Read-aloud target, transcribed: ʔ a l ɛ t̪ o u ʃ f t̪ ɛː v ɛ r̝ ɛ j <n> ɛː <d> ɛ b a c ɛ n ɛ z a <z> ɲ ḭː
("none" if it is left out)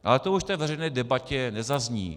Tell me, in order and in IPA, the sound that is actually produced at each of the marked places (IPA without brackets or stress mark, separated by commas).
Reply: n, d, z